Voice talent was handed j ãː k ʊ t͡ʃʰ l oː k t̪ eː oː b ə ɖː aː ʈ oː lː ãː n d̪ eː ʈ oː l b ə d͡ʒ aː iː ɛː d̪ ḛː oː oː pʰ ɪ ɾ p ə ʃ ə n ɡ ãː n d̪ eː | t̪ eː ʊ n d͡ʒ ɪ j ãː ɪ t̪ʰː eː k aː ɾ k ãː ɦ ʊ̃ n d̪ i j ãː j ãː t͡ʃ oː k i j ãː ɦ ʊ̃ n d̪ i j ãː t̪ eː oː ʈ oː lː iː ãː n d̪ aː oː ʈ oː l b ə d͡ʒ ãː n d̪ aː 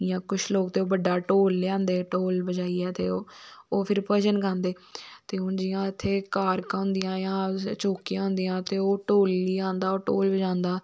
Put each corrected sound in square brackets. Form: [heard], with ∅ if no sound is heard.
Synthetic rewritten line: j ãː k ʊ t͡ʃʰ l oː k t̪ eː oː b ə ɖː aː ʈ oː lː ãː n d̪ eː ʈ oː l b ə d͡ʒ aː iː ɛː [t̪] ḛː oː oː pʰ ɪ ɾ p ə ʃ ə n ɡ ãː n d̪ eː | t̪ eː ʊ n d͡ʒ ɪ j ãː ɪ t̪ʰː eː k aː ɾ k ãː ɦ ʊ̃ n d̪ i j ãː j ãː t͡ʃ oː k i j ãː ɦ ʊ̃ n d̪ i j ãː t̪ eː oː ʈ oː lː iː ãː n d̪ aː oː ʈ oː l b ə d͡ʒ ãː n d̪ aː